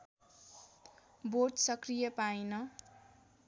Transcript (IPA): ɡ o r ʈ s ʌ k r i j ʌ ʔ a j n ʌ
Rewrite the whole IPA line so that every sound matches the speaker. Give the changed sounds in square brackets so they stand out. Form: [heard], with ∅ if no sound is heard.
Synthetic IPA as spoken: [b] o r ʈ s ʌ k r i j ʌ [p] a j n ʌ

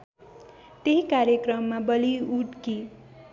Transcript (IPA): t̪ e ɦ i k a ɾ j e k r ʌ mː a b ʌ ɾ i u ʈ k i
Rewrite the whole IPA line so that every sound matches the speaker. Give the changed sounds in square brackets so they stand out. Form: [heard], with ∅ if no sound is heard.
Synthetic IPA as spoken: t̪ e ɦ i k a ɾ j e k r ʌ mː a b ʌ [l] i u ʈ k i

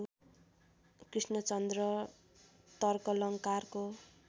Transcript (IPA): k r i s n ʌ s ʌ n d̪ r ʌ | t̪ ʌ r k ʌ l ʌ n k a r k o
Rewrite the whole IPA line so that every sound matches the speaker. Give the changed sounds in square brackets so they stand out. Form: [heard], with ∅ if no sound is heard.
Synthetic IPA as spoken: k r i s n ʌ [t͡s] ʌ n d̪ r ʌ | t̪ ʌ r k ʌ l ʌ [ŋ] k a r k o

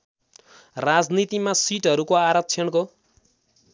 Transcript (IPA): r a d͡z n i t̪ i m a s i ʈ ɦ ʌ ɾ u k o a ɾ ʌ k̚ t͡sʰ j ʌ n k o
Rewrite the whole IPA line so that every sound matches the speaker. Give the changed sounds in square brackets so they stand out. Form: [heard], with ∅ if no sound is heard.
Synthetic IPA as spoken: r a d͡z n i t̪ i m a s i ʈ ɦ ʌ ɾ u k o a ɾ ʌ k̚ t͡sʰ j ʌ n k o

